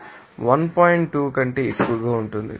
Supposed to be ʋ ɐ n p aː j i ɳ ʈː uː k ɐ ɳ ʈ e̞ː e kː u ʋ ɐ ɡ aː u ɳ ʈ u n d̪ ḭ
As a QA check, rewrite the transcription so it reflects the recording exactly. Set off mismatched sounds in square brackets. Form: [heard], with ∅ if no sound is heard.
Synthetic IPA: ʋ ɐ n p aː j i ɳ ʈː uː k ɐ ɳ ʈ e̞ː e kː u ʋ ɐ ɡ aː u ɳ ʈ u n d̪ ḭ